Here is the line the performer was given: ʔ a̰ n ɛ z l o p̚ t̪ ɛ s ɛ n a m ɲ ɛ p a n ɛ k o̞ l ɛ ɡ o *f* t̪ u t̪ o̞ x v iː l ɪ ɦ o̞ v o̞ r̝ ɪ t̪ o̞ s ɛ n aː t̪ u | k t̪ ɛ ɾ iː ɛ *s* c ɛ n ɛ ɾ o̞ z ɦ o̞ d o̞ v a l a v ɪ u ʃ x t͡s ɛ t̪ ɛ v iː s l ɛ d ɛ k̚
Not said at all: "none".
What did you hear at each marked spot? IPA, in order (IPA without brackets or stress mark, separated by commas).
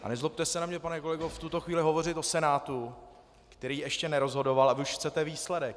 f, ʃ